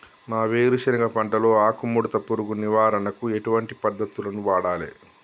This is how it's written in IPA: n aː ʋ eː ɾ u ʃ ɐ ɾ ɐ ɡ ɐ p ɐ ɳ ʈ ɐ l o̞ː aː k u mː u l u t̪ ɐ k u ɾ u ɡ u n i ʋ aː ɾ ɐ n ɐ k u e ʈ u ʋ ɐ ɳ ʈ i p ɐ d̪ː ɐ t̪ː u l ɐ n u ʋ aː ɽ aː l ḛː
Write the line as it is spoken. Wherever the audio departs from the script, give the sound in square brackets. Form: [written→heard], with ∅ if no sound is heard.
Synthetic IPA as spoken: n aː ʋ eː ɾ u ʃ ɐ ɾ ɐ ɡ ɐ p ɐ ɳ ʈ ɐ l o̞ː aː k u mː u [l→ɽ] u t̪ ɐ [k→p] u ɾ u ɡ u n i ʋ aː ɾ ɐ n ɐ k u e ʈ u ʋ ɐ ɳ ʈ i p ɐ d̪ː ɐ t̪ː u l ɐ n u ʋ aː ɽ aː l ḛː